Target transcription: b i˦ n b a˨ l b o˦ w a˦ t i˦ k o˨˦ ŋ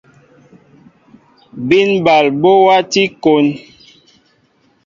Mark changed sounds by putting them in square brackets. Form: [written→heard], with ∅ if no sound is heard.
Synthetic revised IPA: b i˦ n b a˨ l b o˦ w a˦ t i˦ k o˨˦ [ŋ→n]